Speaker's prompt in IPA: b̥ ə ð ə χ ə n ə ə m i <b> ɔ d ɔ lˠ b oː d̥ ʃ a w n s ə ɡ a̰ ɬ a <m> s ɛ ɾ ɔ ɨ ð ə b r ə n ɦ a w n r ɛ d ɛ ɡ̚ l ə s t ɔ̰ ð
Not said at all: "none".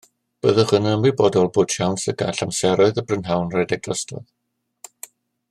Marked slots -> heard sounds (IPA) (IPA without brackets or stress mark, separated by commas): b, m